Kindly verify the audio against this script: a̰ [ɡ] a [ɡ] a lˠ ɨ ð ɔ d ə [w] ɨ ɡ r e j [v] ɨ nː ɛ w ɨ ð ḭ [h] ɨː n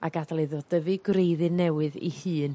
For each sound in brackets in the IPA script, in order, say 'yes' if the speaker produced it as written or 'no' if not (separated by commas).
yes, no, no, no, yes